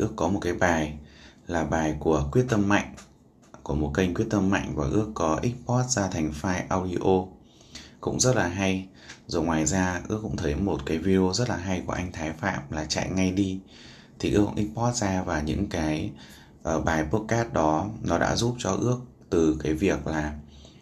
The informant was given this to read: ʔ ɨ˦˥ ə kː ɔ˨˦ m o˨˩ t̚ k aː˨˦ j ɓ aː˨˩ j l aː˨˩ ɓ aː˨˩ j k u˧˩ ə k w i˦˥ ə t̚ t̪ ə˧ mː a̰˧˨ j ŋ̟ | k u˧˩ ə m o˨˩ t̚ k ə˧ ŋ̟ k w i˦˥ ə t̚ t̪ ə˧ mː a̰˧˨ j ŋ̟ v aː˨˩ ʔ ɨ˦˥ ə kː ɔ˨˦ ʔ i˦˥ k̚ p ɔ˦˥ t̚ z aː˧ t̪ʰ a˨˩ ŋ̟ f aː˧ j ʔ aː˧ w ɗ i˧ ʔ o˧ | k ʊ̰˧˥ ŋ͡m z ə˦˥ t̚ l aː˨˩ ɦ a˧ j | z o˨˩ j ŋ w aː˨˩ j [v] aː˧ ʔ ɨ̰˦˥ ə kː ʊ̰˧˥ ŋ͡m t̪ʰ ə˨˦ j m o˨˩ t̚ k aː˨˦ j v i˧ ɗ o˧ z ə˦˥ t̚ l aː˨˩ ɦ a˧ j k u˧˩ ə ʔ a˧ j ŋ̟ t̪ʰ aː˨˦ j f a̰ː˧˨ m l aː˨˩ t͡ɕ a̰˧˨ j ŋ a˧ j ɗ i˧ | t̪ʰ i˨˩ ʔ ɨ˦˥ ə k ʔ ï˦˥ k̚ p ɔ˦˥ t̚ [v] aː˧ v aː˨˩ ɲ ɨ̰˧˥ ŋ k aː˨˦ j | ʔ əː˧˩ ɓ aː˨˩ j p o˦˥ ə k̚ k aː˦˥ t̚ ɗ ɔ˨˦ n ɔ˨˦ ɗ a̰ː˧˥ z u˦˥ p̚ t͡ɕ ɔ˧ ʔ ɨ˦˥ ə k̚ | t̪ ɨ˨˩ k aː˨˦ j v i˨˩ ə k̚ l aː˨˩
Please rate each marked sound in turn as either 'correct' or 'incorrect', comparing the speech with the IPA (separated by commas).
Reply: incorrect, incorrect